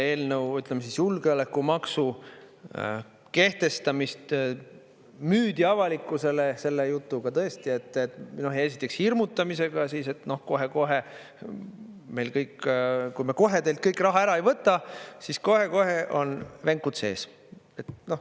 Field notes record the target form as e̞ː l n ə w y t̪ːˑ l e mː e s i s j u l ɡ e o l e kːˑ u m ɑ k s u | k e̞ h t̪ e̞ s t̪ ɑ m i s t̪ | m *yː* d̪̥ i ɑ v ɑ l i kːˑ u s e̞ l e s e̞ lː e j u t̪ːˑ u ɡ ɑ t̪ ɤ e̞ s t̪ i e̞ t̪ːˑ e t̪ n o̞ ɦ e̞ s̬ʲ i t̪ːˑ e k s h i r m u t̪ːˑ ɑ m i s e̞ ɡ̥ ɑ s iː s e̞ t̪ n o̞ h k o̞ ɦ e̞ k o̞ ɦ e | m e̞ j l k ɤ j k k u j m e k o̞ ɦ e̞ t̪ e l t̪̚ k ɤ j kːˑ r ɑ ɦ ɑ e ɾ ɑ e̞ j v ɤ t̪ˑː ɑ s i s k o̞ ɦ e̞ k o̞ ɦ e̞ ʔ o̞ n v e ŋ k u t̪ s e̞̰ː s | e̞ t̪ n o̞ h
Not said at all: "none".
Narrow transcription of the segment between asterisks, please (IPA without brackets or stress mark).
yː